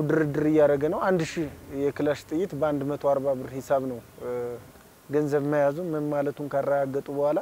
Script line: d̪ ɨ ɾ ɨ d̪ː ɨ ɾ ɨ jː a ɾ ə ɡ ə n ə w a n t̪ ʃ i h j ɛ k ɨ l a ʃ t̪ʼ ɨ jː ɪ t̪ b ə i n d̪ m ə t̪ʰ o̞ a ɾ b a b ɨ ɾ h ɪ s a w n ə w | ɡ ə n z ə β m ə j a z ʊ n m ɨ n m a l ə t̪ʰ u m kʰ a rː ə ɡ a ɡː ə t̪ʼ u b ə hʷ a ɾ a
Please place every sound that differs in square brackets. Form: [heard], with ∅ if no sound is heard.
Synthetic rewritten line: d̪ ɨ ɾ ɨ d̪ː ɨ ɾ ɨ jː a ɾ ə ɡ ə n ə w a n [d̪] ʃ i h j ɛ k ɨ l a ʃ t̪ʼ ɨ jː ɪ t̪ b ə [a] n d̪ m ə t̪ʰ o̞ a ɾ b a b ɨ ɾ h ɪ s a [β] n ə w | ɡ ə n z ə β m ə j a z [u] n m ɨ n m a l ə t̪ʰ u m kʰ a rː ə ɡ a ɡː ə t̪ʼ u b ə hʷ a [l] a